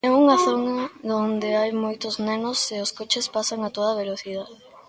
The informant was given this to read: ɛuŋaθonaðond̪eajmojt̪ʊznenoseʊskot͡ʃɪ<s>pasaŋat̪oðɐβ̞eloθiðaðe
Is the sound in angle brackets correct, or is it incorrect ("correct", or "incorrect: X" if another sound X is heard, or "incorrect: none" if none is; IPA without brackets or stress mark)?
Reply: correct